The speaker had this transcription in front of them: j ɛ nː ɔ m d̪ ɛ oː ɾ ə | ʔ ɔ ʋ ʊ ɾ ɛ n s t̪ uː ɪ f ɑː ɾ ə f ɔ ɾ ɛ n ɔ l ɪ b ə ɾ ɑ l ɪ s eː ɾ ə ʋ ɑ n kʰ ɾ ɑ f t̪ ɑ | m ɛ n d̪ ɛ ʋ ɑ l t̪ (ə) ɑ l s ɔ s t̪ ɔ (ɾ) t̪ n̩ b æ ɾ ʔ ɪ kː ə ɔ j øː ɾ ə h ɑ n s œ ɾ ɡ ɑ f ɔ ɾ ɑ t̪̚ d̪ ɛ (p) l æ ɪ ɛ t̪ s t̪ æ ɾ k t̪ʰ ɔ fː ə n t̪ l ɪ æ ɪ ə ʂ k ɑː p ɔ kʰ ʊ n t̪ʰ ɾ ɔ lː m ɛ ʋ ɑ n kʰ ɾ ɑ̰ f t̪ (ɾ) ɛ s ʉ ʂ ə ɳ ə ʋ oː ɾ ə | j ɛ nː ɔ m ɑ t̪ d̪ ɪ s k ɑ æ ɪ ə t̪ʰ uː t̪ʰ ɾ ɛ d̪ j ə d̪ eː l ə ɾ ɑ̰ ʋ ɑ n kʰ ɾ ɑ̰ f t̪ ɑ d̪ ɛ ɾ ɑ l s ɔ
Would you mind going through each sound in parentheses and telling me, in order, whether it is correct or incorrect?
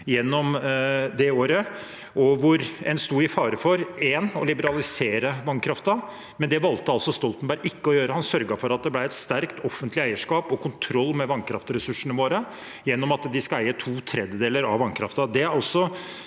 correct, incorrect: l, incorrect: b, correct

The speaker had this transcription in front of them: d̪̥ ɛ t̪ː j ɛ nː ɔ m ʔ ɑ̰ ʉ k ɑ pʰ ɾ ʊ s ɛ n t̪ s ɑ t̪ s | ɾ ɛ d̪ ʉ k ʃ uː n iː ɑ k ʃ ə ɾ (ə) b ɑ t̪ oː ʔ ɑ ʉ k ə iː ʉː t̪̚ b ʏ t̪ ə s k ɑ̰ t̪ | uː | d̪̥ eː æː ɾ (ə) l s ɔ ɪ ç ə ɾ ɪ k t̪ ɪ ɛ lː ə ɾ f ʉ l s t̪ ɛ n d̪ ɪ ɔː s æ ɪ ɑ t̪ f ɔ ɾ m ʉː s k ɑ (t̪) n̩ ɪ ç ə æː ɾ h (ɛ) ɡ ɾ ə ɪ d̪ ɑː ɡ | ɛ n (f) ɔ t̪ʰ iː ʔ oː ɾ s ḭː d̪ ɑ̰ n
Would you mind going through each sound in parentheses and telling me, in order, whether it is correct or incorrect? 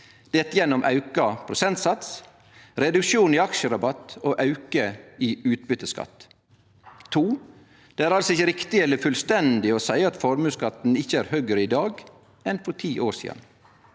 incorrect: ɑ, incorrect: ɑ, correct, incorrect: œ, correct

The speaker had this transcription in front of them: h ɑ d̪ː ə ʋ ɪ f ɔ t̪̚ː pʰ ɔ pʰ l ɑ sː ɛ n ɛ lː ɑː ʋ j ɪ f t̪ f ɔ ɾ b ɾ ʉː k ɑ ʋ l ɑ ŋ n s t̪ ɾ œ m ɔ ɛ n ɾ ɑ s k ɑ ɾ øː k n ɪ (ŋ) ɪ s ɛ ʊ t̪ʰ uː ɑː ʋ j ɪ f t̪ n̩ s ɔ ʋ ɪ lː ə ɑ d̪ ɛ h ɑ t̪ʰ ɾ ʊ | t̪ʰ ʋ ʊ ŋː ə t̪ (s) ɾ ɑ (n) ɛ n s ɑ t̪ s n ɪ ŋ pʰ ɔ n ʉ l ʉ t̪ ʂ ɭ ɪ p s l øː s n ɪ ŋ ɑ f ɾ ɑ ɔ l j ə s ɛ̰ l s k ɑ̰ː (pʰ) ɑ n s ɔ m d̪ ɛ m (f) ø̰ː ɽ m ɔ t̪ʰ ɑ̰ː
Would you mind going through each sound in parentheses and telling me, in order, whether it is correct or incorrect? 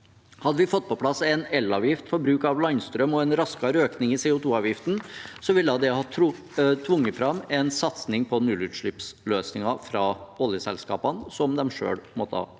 correct, incorrect: f, incorrect: m, incorrect: p, incorrect: ʂ

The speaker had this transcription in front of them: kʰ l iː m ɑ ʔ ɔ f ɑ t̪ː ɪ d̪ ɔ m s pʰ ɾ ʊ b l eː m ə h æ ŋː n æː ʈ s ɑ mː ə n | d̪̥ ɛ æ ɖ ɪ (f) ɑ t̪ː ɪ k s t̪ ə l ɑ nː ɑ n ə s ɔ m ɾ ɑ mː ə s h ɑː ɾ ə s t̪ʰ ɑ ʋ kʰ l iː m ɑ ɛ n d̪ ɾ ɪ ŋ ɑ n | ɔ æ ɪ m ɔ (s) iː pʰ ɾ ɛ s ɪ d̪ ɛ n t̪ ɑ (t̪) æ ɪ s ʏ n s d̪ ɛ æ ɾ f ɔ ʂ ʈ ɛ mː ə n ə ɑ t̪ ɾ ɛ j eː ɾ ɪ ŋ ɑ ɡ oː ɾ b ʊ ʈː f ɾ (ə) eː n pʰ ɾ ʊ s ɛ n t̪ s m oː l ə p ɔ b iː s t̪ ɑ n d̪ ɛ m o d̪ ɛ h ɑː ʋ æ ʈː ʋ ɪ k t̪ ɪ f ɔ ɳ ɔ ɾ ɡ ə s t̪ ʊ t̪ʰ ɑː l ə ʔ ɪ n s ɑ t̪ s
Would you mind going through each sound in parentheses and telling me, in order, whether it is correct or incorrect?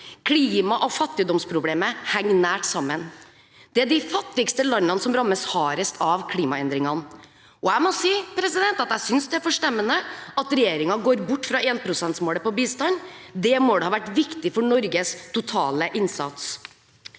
correct, correct, correct, incorrect: ɑ

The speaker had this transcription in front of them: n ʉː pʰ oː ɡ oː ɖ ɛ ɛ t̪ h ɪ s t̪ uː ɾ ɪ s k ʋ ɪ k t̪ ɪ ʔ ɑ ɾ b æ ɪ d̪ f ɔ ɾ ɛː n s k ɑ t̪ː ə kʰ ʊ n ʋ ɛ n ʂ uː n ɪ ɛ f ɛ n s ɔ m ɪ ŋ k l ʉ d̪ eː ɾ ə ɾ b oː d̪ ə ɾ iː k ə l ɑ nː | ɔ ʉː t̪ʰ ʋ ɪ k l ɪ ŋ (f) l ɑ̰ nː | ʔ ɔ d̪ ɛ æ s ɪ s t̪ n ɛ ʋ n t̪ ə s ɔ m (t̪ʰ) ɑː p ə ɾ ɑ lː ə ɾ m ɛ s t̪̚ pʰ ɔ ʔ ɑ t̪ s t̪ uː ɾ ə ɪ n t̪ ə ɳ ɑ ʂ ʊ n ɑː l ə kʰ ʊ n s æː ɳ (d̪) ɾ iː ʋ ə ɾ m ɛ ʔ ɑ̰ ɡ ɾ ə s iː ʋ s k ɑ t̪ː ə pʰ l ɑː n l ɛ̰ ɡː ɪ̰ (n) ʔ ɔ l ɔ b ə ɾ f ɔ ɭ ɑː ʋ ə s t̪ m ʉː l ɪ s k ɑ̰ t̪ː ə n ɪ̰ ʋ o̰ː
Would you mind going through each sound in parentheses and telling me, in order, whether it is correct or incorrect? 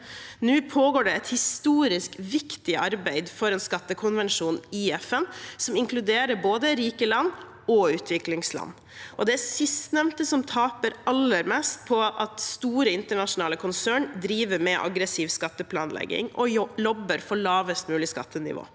incorrect: s, correct, correct, incorrect: ŋ

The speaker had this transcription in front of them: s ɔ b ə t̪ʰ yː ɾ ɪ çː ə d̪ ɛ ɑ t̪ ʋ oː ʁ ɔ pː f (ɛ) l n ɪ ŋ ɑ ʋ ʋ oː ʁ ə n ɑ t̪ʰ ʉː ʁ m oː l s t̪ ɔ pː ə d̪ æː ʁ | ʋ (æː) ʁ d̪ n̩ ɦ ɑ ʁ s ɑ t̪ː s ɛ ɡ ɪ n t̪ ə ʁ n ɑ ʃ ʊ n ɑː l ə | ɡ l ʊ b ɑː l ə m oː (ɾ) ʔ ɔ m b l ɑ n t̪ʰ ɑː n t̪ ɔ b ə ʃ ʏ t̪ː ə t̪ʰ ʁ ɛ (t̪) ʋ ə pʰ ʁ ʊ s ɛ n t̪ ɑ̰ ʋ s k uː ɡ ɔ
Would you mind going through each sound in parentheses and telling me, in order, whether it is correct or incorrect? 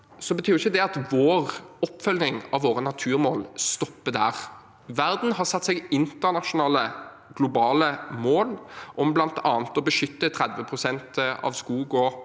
incorrect: œ, incorrect: æ, incorrect: l, incorrect: d̪

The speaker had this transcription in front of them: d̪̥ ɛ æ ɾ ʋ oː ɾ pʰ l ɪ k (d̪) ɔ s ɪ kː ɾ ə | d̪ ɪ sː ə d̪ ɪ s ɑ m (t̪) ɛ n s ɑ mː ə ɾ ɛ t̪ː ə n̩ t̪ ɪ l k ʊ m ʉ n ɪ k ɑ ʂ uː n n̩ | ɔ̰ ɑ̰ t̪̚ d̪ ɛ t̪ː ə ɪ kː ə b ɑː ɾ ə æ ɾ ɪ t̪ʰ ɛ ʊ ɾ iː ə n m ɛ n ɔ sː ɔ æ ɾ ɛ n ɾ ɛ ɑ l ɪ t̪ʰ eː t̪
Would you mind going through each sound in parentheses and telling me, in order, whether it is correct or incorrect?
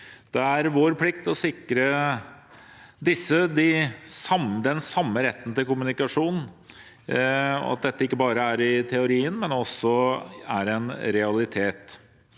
incorrect: t̪, incorrect: d̪

